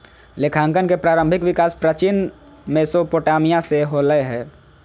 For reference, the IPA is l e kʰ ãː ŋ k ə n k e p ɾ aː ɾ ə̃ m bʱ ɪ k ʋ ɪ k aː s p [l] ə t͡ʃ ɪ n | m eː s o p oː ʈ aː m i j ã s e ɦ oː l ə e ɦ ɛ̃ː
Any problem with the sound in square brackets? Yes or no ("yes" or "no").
yes